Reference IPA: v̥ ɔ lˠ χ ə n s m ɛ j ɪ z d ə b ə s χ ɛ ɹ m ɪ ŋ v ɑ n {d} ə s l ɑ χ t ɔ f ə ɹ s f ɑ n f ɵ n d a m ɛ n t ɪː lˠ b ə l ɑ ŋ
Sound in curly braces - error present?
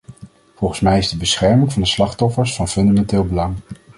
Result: no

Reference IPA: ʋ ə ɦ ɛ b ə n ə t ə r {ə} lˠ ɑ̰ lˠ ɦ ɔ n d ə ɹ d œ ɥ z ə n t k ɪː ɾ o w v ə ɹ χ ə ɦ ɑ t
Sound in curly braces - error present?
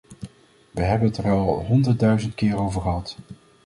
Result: yes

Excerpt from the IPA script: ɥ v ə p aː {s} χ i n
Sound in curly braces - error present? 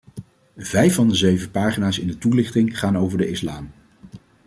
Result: yes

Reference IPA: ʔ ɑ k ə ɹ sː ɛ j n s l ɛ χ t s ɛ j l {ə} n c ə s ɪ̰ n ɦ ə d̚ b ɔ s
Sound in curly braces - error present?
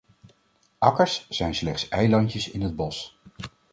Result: yes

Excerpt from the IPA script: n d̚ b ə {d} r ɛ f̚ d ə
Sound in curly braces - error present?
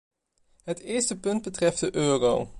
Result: yes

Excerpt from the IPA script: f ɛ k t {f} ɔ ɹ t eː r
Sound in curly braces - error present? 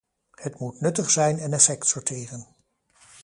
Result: yes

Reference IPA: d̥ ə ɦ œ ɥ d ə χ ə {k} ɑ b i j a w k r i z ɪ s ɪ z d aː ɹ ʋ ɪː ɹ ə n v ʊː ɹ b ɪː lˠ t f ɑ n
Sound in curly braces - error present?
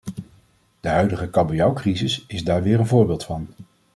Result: no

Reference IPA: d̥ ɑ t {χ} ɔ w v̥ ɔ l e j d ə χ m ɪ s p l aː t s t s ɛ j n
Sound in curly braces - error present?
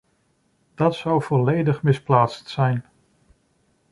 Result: yes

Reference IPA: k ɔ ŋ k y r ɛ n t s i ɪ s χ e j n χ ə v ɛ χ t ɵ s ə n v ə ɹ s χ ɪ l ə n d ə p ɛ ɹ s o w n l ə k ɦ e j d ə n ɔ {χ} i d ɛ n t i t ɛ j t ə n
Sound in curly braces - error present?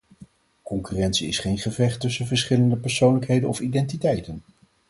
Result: yes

